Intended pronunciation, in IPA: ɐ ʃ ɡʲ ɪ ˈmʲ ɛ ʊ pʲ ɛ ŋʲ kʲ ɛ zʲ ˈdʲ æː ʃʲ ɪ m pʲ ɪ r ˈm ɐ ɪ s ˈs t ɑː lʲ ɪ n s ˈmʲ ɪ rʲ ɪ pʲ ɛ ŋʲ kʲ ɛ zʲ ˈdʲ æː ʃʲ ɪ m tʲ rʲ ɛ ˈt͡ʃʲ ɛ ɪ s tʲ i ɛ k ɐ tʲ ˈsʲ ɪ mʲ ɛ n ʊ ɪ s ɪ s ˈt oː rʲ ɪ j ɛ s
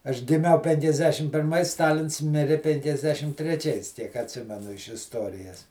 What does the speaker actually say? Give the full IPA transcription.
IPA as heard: ɐ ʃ ɡʲ ɪ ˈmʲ ɛ ʊ pʲ ɛ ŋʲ kʲ ɛ zʲ ˈdʲ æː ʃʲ ɪ m pʲ ɪ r ˈm ɐ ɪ s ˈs t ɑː lʲ ɪ n s ˈmʲ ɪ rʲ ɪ pʲ ɛ ŋʲ kʲ ɛ zʲ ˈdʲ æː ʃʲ ɪ m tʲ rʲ ɛ ˈt͡ʃʲ ɛ ɪ s tʲ i ɛ k ɐ tʲ ˈsʲ ɪ mʲ ɛ n ʊ ɪ ʃ ɪ s ˈt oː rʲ ɪ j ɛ s